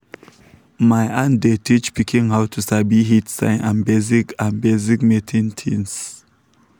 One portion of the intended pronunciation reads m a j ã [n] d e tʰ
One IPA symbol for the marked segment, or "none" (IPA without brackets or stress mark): n